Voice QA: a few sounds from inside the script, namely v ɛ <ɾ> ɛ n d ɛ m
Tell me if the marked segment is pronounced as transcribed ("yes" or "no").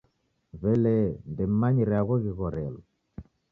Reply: no